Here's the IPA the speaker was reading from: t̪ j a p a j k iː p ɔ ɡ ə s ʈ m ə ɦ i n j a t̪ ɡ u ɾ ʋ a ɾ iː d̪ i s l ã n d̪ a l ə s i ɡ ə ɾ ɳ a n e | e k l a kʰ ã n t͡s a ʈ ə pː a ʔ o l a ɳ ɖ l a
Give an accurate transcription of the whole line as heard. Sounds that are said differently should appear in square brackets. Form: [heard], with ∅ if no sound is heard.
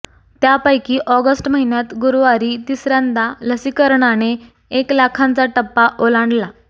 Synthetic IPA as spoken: t̪ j a p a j k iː [ʔ] ɔ ɡ ə s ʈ m ə ɦ i n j a t̪ ɡ u ɾ ʋ a ɾ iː [t̪] i s [ɾ] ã n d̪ a l ə s i [k] ə ɾ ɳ a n e | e k l a kʰ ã n t͡s a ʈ ə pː a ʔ o l a ɳ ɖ l a